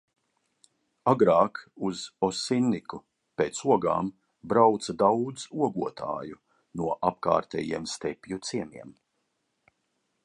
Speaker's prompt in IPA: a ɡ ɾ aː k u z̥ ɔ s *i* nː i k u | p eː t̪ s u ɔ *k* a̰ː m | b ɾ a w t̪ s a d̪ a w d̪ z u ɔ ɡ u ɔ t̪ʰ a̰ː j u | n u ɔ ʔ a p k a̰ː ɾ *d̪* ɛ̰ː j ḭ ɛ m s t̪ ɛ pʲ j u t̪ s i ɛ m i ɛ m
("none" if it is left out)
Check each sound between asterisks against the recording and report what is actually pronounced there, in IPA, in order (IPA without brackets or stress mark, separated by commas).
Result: i, ɡ, t̪